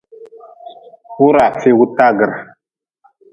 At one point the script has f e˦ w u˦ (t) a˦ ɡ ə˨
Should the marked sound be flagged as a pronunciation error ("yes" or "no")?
no